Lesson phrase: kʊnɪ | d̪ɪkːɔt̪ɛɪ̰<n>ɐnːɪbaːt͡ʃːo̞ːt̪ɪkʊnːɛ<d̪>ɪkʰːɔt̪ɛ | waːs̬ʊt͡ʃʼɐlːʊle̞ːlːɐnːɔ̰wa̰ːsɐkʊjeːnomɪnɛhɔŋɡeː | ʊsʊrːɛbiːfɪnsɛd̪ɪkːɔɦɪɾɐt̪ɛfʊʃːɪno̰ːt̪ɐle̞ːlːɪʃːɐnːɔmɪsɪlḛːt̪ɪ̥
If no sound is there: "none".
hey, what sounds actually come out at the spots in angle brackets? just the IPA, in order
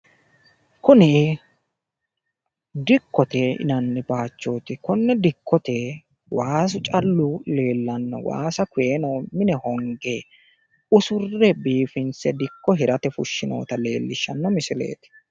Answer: n, d̪

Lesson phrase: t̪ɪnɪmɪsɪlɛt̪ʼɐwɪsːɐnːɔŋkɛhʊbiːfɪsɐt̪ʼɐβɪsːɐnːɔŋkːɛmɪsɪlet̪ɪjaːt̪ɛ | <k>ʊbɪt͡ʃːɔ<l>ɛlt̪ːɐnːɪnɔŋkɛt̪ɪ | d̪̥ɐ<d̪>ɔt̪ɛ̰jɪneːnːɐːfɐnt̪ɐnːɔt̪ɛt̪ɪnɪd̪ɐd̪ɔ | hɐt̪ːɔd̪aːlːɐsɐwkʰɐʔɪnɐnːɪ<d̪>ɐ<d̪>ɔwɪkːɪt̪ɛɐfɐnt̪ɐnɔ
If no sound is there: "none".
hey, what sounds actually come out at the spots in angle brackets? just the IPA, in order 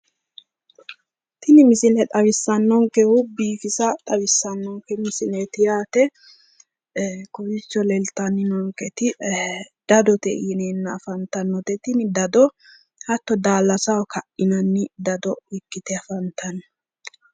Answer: k, l, d̪, d̪, d̪

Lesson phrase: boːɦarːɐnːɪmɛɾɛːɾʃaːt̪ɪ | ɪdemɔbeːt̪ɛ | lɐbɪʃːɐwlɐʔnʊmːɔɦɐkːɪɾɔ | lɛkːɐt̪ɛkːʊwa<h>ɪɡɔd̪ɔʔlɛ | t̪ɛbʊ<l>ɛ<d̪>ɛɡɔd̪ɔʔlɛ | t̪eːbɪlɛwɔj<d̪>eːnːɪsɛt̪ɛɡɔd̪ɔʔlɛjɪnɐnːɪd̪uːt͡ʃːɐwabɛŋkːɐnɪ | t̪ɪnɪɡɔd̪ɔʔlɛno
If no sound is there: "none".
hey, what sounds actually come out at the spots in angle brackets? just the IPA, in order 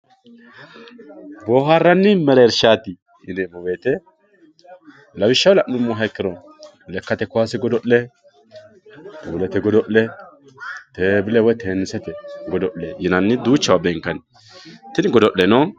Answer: s, l, t̪, t̪

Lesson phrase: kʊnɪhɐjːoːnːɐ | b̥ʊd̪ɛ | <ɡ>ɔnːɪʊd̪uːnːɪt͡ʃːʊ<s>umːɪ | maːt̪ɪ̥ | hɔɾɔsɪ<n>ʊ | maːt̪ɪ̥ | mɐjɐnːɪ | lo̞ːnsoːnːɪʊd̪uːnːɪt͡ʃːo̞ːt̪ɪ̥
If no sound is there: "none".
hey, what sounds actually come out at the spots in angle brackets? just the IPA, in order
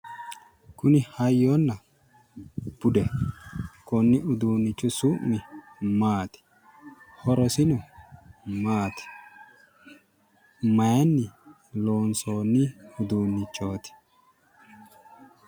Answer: k, s, n

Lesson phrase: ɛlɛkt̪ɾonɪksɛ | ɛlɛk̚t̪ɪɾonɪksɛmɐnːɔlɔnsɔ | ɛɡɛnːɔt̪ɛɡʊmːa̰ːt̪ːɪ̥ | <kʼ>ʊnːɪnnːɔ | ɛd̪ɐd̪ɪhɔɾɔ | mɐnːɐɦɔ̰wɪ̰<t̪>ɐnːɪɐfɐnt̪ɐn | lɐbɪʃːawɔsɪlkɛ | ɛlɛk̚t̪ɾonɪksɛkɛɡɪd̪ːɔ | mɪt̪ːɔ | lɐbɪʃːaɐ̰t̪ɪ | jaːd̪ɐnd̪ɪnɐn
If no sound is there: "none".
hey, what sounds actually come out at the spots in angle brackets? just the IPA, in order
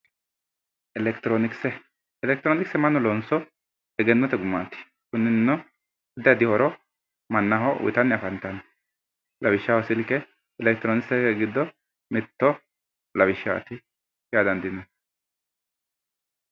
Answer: k, t̪

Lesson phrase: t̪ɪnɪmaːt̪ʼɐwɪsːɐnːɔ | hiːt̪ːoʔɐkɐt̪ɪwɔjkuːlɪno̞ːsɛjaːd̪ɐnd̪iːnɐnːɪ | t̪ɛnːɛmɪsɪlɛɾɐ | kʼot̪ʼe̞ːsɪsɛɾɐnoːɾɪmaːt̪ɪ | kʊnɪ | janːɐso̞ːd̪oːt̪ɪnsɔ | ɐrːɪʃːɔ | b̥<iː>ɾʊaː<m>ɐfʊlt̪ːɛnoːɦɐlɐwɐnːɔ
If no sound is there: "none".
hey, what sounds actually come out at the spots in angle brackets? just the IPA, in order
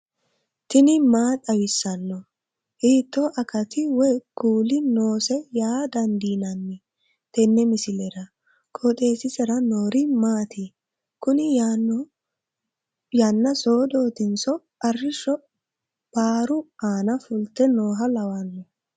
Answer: aː, n

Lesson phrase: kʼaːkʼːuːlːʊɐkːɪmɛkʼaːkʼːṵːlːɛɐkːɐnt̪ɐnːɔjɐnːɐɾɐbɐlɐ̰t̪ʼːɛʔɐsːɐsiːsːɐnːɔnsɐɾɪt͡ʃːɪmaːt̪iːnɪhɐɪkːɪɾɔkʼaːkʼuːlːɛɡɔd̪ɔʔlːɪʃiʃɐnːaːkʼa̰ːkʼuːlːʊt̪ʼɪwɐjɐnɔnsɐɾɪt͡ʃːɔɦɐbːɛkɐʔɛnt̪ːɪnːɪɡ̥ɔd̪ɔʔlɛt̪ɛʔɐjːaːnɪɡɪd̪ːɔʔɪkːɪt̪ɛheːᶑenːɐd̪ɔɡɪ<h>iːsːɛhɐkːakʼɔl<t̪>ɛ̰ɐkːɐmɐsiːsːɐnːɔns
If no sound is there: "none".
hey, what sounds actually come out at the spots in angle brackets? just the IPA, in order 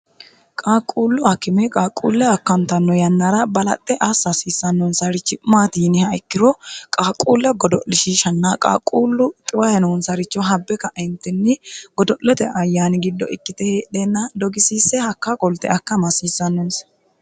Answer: s, t̪

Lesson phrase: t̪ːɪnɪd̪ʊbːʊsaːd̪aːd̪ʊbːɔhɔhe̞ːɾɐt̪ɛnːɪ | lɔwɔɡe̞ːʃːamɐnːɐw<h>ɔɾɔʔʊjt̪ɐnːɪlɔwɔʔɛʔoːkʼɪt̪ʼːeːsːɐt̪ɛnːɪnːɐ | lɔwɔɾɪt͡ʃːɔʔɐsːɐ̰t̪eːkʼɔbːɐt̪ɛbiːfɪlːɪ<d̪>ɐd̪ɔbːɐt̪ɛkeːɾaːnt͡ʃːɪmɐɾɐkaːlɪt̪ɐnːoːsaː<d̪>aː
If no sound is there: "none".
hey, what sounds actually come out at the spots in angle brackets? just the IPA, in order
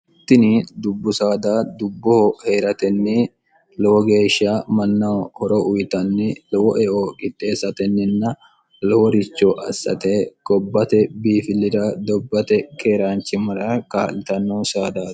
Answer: h, d̪, d̪

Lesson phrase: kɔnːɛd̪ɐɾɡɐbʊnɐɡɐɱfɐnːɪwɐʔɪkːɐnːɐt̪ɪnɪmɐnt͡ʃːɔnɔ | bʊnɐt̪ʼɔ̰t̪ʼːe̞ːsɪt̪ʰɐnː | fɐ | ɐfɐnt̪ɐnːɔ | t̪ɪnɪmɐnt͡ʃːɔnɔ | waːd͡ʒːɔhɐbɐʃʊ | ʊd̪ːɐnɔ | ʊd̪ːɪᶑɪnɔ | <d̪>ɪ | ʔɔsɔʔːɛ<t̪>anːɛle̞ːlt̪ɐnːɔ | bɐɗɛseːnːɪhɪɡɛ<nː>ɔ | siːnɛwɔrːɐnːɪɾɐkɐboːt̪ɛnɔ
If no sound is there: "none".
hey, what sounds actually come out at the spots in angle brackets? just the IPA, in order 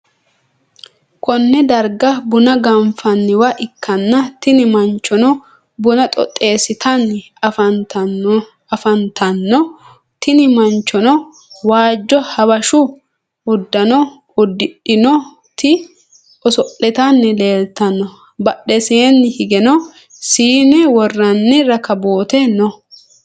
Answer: t̪, t̪, n

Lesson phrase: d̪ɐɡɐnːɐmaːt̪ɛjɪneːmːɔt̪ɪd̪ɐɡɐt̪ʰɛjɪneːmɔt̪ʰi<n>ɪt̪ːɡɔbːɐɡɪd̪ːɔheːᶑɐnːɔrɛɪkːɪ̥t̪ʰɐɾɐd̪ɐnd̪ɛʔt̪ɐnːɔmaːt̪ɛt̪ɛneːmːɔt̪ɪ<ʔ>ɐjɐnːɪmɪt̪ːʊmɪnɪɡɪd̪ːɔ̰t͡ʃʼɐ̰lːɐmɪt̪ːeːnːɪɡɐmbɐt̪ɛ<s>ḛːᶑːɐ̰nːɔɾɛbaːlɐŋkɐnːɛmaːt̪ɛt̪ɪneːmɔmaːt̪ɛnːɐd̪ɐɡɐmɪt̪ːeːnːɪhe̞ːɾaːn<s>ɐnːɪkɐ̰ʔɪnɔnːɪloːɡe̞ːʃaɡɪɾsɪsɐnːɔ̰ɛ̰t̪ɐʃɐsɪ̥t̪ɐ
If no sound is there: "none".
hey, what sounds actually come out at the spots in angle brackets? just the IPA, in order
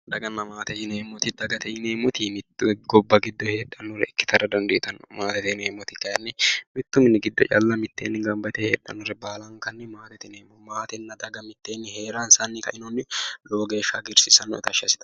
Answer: m, k, h, s

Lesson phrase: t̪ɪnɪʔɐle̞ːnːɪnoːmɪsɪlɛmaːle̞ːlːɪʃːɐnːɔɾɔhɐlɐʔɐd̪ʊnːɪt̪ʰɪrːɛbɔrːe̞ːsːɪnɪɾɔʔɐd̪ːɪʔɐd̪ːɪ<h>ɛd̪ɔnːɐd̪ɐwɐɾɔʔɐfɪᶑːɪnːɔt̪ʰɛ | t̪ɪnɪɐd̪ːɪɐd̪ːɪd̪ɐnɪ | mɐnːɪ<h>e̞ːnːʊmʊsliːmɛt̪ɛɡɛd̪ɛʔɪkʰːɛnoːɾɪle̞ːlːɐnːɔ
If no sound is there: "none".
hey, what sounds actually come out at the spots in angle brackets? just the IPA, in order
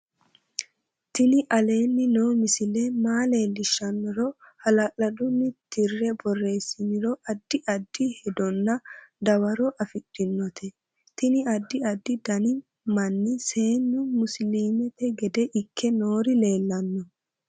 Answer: h, s

